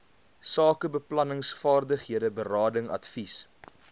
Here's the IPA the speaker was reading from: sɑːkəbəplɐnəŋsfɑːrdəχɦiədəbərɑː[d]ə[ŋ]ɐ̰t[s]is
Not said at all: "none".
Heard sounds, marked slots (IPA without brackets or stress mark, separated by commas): d, ŋ, f